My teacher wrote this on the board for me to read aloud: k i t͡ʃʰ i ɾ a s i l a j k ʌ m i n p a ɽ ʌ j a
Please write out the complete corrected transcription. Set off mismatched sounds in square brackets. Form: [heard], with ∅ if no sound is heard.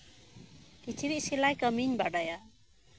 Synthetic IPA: k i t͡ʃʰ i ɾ [i] s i l a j k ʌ m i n [b] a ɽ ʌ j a